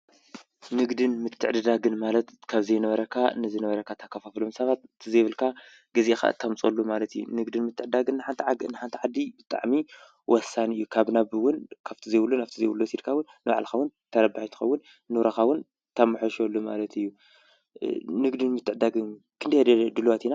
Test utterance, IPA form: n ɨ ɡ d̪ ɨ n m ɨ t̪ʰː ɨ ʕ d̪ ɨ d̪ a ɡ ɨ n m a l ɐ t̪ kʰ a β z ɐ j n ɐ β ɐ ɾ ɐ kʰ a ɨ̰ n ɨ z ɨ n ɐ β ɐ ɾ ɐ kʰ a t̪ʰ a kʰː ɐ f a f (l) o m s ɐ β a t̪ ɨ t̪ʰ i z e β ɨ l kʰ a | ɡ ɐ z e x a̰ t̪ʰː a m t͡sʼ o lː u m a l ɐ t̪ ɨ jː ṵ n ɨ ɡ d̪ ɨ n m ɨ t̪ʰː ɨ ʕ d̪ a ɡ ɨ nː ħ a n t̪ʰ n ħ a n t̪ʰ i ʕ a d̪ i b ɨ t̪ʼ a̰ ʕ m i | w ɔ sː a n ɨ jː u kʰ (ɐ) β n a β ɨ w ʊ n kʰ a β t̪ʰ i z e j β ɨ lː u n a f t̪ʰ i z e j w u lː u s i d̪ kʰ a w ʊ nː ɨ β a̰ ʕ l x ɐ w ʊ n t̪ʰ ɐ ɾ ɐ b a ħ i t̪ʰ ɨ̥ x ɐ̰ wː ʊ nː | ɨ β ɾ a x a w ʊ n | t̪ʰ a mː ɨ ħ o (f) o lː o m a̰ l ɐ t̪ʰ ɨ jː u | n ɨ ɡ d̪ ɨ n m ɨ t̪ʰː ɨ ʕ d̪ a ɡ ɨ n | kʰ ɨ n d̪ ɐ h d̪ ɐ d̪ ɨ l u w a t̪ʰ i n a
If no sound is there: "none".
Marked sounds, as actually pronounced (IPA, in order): l, a, ʃ

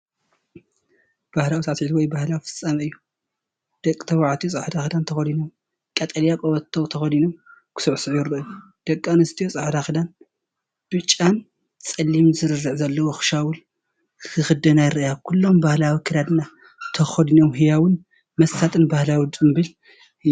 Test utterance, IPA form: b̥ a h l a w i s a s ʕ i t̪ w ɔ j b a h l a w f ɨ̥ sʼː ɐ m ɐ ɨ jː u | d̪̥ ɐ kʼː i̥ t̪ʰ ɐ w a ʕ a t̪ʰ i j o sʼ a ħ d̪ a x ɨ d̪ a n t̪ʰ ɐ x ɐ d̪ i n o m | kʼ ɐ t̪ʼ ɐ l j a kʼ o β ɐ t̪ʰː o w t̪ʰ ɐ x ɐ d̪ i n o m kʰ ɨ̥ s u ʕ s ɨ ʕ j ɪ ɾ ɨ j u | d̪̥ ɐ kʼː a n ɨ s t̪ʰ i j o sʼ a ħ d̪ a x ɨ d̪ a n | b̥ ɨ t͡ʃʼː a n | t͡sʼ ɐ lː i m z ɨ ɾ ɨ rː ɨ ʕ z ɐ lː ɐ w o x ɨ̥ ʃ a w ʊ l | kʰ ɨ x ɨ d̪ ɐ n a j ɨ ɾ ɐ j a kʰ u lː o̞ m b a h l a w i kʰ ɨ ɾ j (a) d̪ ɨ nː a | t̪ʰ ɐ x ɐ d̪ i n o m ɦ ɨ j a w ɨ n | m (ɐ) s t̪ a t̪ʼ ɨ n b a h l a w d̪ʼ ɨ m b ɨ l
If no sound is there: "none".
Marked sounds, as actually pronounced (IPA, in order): a, ɐ

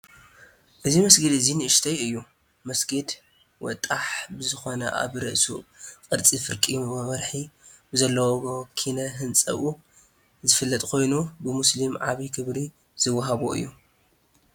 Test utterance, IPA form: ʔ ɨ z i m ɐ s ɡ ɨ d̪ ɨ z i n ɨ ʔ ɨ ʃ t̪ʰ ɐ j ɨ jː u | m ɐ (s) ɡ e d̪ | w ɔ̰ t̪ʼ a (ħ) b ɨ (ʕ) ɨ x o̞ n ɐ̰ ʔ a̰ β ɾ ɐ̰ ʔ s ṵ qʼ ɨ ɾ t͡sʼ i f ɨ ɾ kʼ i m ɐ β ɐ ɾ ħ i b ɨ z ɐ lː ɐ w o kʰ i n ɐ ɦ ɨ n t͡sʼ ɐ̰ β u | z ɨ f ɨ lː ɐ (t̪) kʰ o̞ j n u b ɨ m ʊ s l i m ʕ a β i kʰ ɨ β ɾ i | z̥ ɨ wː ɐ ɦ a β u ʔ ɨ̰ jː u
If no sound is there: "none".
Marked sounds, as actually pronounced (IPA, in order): s, ħ, z, t̪ʼ

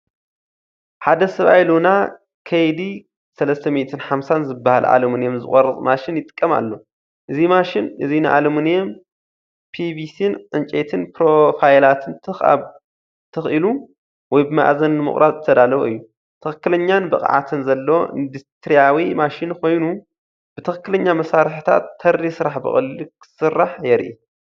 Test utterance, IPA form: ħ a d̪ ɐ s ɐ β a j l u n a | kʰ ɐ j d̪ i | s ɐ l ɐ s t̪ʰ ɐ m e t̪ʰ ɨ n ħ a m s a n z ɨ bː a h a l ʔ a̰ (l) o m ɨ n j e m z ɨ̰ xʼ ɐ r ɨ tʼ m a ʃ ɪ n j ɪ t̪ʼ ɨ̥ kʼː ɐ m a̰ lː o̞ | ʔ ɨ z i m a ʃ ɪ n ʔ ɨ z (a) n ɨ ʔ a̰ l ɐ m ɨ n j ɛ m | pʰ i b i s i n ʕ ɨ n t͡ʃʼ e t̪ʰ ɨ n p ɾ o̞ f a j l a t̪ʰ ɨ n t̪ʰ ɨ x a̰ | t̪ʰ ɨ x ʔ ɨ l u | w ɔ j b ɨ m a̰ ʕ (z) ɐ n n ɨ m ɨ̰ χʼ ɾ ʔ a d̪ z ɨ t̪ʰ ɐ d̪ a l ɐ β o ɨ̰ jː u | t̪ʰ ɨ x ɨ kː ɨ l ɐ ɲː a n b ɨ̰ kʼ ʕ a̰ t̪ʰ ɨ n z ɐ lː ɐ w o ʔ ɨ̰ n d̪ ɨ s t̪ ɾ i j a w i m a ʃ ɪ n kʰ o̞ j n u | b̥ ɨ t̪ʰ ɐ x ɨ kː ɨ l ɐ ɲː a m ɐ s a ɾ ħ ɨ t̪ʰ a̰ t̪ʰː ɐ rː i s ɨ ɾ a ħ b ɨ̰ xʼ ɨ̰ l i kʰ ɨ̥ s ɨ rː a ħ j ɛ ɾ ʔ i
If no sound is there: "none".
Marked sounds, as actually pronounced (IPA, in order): l, i, z

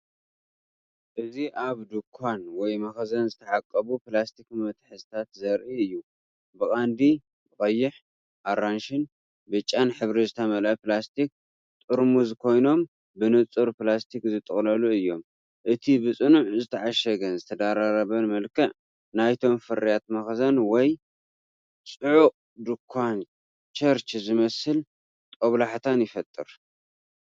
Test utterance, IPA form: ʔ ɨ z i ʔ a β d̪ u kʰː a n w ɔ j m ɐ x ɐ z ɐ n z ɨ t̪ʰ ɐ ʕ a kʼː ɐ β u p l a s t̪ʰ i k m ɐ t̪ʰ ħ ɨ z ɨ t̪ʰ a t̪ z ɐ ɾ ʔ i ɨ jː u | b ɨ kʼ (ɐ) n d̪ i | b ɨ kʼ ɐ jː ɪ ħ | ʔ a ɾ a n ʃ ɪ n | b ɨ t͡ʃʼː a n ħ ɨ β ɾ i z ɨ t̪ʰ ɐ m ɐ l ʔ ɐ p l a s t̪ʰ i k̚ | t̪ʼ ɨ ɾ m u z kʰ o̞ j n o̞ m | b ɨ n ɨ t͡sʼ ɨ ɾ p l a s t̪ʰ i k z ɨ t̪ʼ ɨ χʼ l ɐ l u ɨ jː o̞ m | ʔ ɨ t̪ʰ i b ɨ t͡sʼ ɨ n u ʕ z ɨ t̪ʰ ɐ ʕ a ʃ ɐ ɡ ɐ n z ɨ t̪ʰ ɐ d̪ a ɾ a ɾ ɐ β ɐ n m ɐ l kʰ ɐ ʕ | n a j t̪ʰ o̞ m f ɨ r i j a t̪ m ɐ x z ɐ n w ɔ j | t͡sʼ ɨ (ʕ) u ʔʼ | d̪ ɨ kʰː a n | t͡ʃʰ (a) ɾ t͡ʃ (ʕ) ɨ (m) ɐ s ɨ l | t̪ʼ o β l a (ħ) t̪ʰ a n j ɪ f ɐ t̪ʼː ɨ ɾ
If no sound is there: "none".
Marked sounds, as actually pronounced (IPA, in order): a, ʕ, ɐ, z, m, ħ

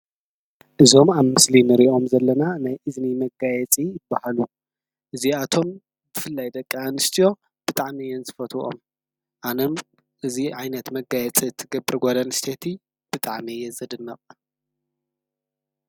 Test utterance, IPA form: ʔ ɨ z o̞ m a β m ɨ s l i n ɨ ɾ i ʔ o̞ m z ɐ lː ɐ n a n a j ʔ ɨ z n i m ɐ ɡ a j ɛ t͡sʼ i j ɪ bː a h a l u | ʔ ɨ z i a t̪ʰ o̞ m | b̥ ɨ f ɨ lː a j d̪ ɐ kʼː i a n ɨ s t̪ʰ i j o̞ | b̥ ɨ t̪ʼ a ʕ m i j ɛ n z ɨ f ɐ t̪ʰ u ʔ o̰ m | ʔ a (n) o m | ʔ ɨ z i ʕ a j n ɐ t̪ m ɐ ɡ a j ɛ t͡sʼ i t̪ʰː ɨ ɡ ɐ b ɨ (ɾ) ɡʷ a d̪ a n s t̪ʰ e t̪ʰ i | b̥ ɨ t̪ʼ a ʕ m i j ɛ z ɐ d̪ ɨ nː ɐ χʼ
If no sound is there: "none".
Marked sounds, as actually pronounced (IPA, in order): n, ɾ

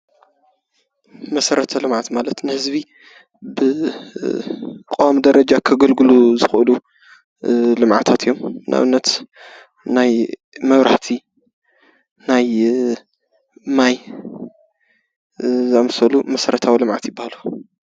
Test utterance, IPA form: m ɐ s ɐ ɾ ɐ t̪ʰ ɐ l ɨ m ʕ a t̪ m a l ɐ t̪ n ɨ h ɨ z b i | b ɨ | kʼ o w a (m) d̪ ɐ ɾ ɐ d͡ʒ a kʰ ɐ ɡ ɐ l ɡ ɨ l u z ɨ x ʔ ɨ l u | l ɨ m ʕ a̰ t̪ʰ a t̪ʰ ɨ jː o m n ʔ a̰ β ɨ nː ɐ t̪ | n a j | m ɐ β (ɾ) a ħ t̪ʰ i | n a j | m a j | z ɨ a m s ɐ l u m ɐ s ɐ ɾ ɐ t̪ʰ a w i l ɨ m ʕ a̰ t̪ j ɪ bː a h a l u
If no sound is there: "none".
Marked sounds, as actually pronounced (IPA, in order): m, ɾ

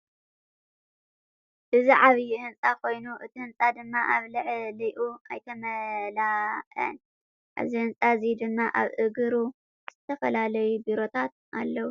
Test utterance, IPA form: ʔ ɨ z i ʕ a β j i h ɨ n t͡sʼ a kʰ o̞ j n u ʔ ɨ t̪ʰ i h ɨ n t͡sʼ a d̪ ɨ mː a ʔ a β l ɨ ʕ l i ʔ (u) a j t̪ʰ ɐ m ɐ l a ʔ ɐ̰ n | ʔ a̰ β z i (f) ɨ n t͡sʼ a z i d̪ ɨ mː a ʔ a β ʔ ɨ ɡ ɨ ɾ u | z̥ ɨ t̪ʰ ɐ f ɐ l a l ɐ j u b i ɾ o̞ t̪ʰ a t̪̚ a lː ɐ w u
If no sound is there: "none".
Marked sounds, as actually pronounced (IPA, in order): u, h

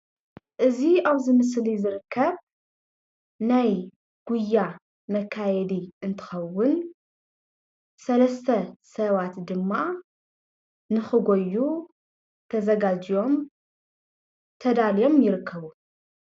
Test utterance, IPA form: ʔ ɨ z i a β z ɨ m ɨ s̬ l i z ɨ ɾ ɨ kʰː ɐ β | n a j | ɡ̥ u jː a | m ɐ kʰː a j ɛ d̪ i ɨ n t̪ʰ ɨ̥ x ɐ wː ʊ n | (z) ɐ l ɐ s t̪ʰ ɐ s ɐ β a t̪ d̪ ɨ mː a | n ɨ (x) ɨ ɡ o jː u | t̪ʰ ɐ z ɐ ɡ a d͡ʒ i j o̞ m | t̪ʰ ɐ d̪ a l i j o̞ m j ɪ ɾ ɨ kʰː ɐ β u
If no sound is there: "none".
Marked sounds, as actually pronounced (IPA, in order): s, x

